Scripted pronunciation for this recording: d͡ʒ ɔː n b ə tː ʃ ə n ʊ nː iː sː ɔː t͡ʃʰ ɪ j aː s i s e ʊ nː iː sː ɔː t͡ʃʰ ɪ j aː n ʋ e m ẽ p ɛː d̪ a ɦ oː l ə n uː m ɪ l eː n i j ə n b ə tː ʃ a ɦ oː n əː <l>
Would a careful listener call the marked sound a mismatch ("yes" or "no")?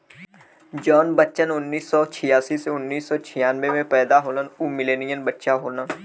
yes